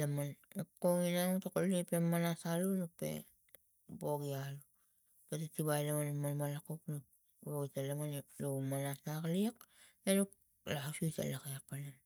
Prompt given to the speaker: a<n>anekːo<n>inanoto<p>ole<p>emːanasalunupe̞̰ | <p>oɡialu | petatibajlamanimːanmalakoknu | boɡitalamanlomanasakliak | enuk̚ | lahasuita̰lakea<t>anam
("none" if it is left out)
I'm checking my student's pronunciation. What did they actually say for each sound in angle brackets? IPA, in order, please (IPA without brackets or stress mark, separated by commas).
m, ŋ, k, p, b, p